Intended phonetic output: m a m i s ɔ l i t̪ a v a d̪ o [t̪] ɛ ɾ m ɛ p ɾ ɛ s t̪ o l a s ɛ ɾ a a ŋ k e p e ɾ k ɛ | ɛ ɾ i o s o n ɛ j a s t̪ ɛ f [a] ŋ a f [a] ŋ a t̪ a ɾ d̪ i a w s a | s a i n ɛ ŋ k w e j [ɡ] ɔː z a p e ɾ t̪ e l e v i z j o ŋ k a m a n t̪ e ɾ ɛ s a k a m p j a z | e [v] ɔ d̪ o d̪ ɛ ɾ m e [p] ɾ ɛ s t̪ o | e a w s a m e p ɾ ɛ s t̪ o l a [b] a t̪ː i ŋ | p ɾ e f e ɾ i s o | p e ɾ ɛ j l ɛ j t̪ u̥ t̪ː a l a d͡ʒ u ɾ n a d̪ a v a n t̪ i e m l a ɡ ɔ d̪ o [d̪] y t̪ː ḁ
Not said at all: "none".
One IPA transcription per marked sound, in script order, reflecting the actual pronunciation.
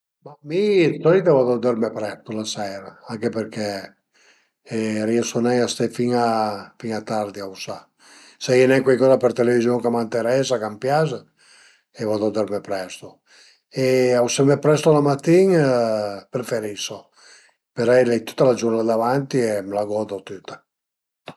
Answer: d̪, i, i, k, v, p, m, t̪

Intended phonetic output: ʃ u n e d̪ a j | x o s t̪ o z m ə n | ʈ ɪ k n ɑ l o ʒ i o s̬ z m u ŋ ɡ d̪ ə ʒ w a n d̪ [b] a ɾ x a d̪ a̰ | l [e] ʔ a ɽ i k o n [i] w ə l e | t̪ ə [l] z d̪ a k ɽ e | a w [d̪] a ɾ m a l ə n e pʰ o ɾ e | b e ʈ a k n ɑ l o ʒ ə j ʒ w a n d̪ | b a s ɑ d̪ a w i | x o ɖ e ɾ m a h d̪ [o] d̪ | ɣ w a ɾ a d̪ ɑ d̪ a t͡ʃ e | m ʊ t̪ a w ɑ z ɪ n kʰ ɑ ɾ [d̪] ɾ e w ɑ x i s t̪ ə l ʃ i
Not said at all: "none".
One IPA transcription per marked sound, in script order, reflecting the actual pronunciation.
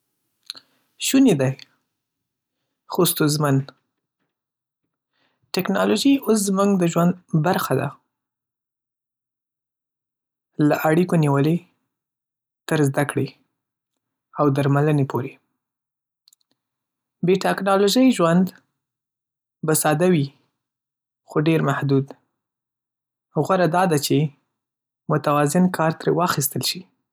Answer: b, a, i, ɾ, d̪, u, t̪

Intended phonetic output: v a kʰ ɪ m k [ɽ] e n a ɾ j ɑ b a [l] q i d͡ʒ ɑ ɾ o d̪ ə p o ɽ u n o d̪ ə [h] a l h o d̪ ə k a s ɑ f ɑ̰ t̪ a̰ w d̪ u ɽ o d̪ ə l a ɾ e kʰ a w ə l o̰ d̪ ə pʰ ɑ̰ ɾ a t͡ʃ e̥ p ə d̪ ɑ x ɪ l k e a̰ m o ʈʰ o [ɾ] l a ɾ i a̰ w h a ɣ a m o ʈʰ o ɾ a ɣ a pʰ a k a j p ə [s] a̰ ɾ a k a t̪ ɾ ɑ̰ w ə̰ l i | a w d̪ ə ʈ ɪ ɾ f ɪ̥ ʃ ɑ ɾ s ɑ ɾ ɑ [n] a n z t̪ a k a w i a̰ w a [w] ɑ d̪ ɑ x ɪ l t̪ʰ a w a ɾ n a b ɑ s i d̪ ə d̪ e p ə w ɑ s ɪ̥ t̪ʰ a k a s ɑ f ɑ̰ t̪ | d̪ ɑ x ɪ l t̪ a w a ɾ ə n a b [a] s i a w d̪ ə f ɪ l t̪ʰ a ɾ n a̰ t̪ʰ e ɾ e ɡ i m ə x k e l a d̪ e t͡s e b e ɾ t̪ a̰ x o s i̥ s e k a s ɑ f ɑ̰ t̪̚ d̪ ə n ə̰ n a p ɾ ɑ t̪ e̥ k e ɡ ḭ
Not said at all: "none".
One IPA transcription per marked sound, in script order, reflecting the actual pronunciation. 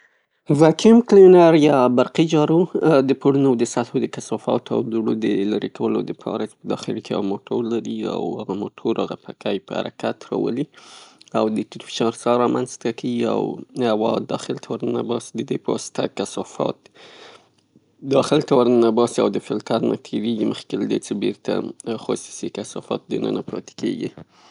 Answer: l, ɾ, s, ɾ, h, m, w, ɑ

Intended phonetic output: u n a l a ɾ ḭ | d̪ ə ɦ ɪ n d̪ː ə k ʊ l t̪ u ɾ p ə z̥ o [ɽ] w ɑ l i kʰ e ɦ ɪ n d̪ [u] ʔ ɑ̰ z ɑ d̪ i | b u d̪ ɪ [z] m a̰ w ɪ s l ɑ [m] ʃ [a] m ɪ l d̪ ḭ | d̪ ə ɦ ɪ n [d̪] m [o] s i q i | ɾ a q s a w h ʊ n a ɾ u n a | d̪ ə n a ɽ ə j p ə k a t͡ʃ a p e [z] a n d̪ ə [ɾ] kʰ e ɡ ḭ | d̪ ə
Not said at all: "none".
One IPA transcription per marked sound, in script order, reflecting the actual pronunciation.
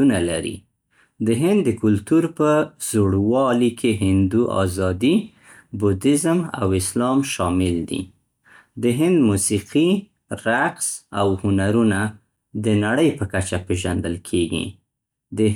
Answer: ɽ, u, z, m, ɑ, d̪, u, ʒ, l

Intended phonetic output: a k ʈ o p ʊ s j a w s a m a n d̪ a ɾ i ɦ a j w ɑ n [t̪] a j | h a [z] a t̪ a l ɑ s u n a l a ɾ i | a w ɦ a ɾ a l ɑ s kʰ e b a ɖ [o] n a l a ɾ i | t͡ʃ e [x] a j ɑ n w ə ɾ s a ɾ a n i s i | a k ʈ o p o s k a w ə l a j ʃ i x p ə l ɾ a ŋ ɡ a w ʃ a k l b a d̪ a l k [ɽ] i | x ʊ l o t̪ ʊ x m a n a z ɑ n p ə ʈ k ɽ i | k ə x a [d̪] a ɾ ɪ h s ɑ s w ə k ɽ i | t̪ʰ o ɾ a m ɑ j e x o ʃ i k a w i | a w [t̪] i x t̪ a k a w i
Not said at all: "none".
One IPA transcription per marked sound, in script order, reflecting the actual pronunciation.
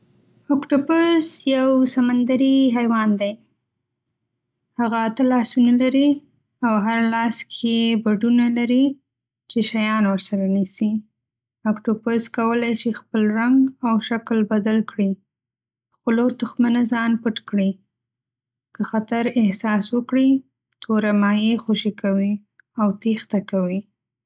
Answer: d̪, ɣ, u, ʃ, ɽ, t̪, t̪

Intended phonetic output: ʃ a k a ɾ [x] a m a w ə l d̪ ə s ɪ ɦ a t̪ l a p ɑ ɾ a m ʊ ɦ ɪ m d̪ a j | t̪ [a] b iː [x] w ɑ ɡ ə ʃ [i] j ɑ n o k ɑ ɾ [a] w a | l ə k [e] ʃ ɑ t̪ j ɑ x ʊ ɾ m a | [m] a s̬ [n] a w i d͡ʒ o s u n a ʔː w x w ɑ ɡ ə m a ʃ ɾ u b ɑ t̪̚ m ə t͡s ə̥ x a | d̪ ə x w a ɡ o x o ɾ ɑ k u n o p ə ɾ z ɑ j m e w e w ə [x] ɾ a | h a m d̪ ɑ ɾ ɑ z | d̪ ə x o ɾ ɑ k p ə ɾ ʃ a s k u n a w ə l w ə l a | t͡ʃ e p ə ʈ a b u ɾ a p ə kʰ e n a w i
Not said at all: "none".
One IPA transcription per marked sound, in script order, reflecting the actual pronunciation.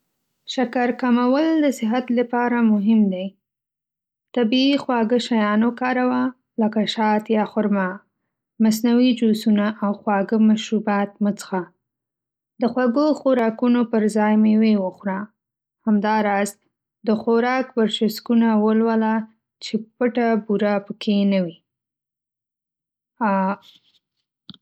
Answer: k, a, x, a, a, a, m, n, x

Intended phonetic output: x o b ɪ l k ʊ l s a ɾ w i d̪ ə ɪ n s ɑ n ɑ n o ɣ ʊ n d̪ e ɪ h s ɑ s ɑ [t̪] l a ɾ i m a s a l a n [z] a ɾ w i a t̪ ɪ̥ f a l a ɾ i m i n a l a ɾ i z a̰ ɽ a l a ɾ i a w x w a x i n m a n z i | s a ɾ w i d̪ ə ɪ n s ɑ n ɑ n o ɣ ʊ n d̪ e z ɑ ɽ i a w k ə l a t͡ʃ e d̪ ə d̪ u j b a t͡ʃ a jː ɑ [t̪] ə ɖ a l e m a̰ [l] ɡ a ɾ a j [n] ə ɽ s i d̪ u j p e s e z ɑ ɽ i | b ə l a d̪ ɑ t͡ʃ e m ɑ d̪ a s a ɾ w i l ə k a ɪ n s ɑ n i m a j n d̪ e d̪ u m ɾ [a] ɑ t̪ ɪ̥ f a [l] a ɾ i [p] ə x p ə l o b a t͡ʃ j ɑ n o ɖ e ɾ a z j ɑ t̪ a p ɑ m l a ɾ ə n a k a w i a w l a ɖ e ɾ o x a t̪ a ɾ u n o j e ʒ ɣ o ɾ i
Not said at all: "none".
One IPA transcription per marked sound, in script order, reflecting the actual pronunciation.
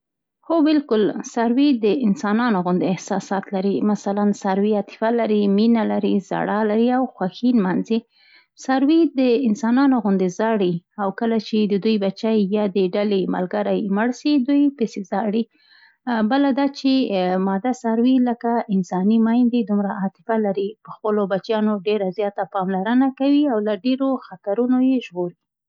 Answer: t̪, s, d̪, l, m, a, l, p

